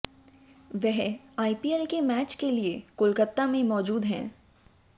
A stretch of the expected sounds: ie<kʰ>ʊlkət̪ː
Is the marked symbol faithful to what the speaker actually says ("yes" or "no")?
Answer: no